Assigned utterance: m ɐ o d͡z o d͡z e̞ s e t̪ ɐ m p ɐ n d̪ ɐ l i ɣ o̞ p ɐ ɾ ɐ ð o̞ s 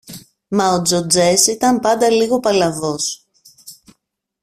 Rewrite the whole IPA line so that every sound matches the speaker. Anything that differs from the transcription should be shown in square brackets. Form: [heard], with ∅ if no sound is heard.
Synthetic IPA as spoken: m ɐ o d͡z o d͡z e̞ s [i] t̪ ɐ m p ɐ n d̪ ɐ l i ɣ o̞ p ɐ [l] ɐ [v] o̞ s